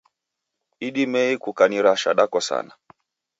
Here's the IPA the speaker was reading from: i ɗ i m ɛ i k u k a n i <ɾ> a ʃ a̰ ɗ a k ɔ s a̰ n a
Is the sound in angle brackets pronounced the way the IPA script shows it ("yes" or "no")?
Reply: yes